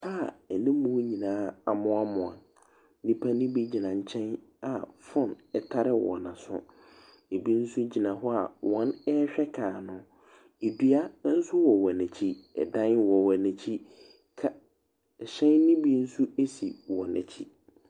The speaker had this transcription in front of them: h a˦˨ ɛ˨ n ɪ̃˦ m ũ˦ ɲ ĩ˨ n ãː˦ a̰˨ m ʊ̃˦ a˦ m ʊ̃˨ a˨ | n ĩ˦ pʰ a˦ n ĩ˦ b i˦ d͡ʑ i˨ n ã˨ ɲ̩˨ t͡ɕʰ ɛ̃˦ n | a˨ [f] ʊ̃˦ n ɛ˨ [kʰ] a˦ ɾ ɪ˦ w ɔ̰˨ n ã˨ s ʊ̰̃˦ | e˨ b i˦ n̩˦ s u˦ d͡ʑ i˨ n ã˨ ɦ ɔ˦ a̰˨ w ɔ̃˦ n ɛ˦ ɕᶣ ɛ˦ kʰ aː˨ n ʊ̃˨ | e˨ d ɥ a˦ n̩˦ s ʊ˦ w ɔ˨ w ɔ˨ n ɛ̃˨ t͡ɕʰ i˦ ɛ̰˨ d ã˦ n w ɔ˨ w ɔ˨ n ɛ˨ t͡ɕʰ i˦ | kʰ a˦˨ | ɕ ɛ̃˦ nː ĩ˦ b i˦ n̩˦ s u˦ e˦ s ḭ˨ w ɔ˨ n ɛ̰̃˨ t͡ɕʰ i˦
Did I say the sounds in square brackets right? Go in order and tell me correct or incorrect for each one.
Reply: correct, incorrect: tʰ

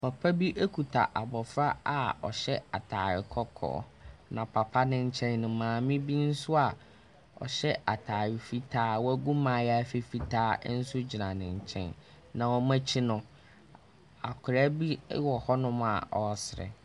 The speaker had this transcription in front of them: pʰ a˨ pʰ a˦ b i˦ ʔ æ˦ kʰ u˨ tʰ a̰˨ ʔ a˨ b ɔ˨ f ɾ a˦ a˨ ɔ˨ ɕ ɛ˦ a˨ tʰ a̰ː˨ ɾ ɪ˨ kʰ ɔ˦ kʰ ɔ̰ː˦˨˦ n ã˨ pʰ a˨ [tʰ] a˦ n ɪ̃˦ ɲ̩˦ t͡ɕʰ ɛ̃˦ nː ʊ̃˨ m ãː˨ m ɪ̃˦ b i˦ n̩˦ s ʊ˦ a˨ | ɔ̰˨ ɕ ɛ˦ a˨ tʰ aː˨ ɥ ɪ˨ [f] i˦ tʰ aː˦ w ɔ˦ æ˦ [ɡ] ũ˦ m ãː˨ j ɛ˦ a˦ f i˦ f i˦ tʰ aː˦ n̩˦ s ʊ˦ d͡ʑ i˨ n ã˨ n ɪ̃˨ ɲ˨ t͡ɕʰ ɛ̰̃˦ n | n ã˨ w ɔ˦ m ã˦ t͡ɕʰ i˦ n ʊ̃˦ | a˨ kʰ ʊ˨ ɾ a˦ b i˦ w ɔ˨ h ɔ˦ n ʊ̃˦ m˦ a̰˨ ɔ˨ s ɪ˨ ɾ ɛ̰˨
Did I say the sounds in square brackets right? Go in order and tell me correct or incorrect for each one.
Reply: incorrect: pʰ, correct, correct

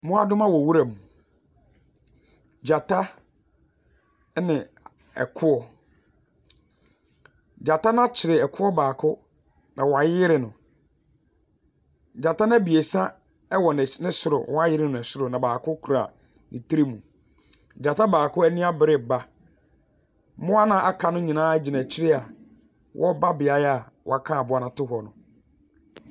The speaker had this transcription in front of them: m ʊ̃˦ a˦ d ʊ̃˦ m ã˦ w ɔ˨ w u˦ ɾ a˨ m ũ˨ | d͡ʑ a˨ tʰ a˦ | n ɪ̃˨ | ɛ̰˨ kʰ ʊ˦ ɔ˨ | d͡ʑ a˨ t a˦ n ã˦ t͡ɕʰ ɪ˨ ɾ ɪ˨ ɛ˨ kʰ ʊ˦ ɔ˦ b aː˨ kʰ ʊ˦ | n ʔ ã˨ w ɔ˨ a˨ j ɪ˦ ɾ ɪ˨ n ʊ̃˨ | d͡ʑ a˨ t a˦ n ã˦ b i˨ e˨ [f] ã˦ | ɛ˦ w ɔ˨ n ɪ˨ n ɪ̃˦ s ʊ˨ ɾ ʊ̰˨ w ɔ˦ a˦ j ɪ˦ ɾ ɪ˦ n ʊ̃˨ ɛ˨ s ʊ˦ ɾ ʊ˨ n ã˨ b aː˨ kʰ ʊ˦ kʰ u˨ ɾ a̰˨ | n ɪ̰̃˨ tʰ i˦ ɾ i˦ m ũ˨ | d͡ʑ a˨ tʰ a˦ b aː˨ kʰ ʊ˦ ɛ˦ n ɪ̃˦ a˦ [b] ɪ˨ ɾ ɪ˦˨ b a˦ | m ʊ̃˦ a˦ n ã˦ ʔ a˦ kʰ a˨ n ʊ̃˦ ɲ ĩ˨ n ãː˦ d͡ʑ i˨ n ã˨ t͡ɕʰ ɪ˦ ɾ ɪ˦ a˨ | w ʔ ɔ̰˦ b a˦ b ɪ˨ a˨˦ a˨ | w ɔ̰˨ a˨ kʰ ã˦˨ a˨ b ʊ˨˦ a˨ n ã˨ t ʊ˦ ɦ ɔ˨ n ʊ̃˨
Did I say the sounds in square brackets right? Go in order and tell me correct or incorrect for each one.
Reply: incorrect: s, correct

